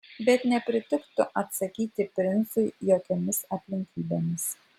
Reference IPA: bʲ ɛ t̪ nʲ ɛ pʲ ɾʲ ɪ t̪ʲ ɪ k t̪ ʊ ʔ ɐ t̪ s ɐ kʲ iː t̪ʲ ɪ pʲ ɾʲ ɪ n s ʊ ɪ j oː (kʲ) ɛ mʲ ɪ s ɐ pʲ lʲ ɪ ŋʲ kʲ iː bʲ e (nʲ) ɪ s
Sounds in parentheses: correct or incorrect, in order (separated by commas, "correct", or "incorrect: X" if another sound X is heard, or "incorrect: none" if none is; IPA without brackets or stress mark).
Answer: correct, incorrect: mʲ